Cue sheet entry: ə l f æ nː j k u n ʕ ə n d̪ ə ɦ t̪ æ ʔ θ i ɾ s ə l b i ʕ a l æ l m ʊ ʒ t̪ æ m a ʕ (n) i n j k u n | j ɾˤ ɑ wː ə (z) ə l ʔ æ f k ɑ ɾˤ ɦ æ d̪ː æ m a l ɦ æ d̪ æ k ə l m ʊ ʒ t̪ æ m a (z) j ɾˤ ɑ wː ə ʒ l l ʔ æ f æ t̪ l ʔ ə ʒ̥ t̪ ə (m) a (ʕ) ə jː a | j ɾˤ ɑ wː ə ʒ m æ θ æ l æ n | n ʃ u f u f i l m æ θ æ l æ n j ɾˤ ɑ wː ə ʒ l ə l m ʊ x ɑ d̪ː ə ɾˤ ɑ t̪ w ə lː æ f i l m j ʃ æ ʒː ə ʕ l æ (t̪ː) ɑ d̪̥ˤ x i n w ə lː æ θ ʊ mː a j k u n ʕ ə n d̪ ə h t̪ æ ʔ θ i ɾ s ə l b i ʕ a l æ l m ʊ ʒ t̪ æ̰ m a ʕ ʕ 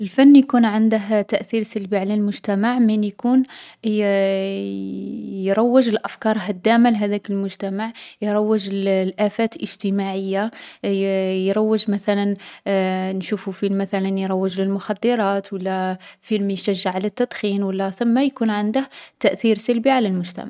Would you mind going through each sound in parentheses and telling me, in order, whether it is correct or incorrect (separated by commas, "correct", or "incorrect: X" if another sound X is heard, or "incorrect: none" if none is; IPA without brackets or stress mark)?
incorrect: m, incorrect: ʒ, incorrect: ʕ, correct, correct, correct